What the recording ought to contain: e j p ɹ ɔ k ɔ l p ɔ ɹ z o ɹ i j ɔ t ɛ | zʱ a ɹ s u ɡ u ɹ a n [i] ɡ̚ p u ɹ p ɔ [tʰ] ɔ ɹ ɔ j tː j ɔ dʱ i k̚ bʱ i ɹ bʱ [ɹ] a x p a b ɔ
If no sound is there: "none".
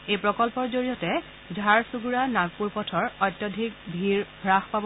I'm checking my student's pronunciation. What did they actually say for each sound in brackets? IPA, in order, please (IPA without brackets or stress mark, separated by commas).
a, tʰ, ɹ